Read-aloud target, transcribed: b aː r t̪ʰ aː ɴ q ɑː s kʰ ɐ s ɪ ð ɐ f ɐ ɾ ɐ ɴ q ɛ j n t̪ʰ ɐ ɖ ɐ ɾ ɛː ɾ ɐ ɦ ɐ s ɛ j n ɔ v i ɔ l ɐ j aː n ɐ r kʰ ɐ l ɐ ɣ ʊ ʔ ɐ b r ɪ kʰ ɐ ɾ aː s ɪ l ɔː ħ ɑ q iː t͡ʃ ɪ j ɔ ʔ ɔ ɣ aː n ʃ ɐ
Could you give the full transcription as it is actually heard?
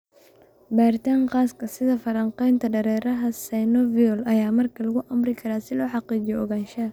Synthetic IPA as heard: b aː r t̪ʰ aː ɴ q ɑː s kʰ ɐ s ɪ ð ɐ f ɐ ɾ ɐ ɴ q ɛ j n t̪ʰ ɐ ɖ ɐ ɾ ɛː ɾ ɐ ɦ ɐ s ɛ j n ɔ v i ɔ l ɐ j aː m ɐ r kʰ ɐ l ɐ ɣ ʊ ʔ ɐ m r ɪ kʰ ɐ ɾ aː s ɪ l ɔː ħ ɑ q iː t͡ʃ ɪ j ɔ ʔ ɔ ɣ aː n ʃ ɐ